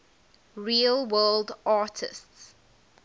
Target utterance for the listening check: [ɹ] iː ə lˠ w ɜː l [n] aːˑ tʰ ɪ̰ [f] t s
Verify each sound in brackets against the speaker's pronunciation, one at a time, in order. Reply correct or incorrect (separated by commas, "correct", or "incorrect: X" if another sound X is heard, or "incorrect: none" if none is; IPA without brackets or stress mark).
correct, incorrect: d, incorrect: s